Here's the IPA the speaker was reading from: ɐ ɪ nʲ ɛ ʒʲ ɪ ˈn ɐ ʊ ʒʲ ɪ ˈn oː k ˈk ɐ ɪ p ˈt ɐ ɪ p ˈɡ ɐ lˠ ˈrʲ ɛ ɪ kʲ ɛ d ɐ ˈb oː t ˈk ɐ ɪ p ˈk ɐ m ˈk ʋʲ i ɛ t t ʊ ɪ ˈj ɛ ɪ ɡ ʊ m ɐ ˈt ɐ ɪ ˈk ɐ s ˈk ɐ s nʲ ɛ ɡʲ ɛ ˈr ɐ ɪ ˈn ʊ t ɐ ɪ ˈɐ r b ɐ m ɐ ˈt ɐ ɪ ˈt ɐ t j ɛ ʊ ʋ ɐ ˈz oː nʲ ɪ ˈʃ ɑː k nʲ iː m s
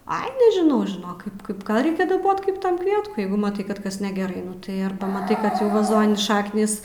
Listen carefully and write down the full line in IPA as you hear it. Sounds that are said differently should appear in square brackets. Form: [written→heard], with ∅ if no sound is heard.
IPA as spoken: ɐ ɪ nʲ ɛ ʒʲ ɪ ˈn ɐ ʊ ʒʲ ɪ ˈn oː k ˈk ɐ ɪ p [ˈt→ˈk] ɐ ɪ p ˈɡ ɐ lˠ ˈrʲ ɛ ɪ kʲ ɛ d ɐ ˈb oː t ˈk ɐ ɪ p [ˈk→ˈt] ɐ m ˈk ʋʲ i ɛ t [t→k] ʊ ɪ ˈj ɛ ɪ ɡ ʊ m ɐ ˈt ɐ ɪ ˈk ɐ [s→t] ˈk ɐ s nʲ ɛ ɡʲ ɛ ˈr ɐ ɪ ˈn ʊ t ɐ ɪ ˈɐ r b ɐ m ɐ ˈt ɐ ɪ [ˈt→ˈk] ɐ t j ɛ ʊ ʋ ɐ ˈz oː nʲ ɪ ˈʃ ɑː k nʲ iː [m→∅] s

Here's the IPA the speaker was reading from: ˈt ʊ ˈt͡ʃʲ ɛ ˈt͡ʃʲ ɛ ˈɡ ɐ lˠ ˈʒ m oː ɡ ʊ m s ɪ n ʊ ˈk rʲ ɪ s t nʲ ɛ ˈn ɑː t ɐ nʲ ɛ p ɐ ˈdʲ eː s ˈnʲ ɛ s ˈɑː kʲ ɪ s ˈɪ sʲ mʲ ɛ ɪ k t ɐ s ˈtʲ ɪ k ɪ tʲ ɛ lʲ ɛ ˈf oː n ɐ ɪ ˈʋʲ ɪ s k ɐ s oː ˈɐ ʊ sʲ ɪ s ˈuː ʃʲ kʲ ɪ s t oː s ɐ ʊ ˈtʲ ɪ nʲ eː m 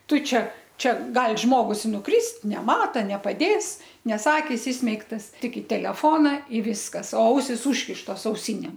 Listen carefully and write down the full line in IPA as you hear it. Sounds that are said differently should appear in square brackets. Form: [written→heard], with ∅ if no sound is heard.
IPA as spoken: ˈt ʊ ˈt͡ʃʲ ɛ ˈt͡ʃʲ ɛ ˈɡ ɐ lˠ ˈʒ m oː ɡ ʊ [m→∅] s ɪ n ʊ ˈk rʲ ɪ s t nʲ ɛ [ˈn→ˈm] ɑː t ɐ nʲ ɛ p ɐ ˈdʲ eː s ˈnʲ ɛ s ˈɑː kʲ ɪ s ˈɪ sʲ mʲ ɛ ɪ k t ɐ s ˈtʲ ɪ k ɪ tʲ ɛ lʲ ɛ ˈf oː n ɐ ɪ ˈʋʲ ɪ s k ɐ s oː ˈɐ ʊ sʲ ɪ s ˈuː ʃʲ kʲ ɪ [s→ʃ] t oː s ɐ ʊ [ˈtʲ→ˈsʲ] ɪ nʲ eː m

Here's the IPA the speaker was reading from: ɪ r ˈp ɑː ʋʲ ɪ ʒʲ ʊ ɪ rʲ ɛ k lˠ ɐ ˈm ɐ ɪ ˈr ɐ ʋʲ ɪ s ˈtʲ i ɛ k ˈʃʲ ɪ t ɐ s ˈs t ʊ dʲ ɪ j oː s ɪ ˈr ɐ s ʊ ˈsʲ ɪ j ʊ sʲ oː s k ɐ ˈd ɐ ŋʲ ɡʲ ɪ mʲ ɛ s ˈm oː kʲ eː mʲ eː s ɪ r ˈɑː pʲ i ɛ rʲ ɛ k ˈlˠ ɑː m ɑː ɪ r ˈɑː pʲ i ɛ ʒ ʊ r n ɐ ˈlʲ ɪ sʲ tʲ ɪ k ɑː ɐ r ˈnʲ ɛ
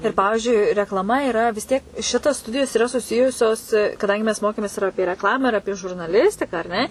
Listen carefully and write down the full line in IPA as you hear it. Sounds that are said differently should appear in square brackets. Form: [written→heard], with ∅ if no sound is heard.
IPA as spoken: ɪ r ˈp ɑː ʋʲ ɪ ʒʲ ʊ ɪ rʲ ɛ k lˠ ɐ ˈm ɐ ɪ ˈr ɐ ʋʲ ɪ s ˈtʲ i ɛ k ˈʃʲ ɪ t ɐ s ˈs t ʊ dʲ ɪ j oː s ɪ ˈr ɐ s ʊ ˈsʲ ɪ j ʊ sʲ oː s k ɐ ˈd ɐ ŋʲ ɡʲ ɪ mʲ ɛ s ˈm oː kʲ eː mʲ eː s ɪ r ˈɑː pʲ i ɛ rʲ ɛ k ˈlˠ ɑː m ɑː ɪ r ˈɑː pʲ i ɛ ʒ ʊ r n ɐ ˈlʲ ɪ sʲ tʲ ɪ k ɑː ɐ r ˈnʲ ɛ

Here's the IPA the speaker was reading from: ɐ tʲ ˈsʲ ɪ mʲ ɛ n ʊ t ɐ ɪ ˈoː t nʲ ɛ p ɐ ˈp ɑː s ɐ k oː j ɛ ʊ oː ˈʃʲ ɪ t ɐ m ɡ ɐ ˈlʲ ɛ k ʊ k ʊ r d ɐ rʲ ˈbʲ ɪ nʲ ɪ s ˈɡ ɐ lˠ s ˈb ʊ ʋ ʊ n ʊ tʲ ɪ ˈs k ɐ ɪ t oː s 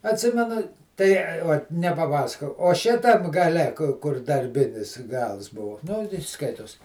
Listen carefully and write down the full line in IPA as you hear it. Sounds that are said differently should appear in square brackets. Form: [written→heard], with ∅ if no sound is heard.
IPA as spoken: ɐ tʲ ˈsʲ ɪ mʲ ɛ n ʊ t ɐ ɪ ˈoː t nʲ ɛ p ɐ ˈp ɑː s ɐ k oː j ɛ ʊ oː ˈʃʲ ɪ t ɐ m ɡ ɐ ˈlʲ ɛ k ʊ k ʊ r d ɐ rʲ ˈbʲ ɪ nʲ ɪ s ˈɡ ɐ lˠ s ˈb ʊ ʋ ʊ n ʊ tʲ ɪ ˈs k ɐ ɪ t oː s

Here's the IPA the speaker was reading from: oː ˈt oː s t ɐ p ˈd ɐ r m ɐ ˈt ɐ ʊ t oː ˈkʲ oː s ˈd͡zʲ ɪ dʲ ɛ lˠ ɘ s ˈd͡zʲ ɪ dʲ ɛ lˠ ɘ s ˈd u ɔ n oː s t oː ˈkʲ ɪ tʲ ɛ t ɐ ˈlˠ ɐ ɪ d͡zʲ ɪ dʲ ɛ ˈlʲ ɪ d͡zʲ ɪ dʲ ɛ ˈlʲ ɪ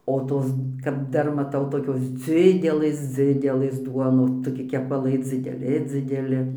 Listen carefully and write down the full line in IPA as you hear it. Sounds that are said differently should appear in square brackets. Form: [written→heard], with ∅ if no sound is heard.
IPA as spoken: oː ˈt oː s [t→k] ɐ p ˈd ɐ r m ɐ ˈt ɐ ʊ t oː ˈkʲ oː s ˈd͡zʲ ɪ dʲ ɛ lˠ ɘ s ˈd͡zʲ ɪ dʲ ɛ lˠ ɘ s ˈd u ɔ n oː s t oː ˈkʲ ɪ [tʲ→kʲ] ɛ [t→p] ɐ ˈlˠ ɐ ɪ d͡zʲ ɪ dʲ ɛ ˈlʲ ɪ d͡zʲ ɪ dʲ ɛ ˈlʲ ɪ

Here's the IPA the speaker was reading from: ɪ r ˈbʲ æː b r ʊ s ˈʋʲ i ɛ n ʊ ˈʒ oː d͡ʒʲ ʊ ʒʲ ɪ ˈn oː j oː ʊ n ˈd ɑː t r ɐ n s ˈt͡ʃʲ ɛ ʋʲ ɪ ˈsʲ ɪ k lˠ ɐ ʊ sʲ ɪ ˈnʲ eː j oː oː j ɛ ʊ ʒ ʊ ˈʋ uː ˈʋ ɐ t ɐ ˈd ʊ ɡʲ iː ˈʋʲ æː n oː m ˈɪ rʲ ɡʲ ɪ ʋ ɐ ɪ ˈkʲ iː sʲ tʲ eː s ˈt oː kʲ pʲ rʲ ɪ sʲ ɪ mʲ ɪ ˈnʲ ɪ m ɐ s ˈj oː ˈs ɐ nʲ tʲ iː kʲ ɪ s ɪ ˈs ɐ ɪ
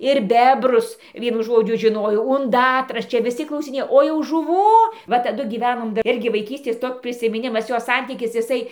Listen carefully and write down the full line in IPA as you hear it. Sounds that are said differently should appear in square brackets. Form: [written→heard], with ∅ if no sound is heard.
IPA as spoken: ɪ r ˈbʲ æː b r ʊ s ˈʋʲ i ɛ n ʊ ˈʒ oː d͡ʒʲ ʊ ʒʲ ɪ ˈn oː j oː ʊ n ˈd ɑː t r ɐ [n→∅] s ˈt͡ʃʲ ɛ ʋʲ ɪ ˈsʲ ɪ k lˠ ɐ ʊ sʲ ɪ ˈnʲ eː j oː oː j ɛ ʊ ʒ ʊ ˈʋ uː ˈʋ ɐ t ɐ ˈd ʊ ɡʲ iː ˈʋʲ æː n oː m ˈɪ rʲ ɡʲ ɪ ʋ ɐ ɪ ˈkʲ iː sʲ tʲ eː s ˈt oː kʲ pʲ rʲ ɪ sʲ ɪ mʲ ɪ ˈnʲ ɪ m ɐ s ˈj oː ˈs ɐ nʲ tʲ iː kʲ ɪ s ɪ ˈs ɐ ɪ

